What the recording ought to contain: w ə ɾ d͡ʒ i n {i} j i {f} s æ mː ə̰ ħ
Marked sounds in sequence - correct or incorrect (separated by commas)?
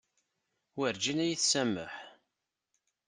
incorrect, incorrect